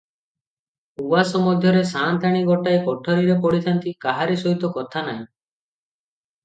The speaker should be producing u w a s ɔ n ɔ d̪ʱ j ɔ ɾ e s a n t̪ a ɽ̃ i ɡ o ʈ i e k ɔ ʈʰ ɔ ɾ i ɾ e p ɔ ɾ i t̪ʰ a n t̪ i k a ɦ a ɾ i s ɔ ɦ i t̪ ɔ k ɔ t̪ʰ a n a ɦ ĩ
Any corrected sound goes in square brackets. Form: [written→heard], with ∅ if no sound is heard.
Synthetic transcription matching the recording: u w a s ɔ [n→m] ɔ d̪ʱ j ɔ ɾ e s a n t̪ a ɽ̃ i ɡ [o→ɔ] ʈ [i→a] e k ɔ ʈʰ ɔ ɾ i ɾ e p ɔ [ɾ→ɽ] i t̪ʰ a n t̪ i k a ɦ a ɾ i s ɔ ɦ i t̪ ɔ k ɔ t̪ʰ a n a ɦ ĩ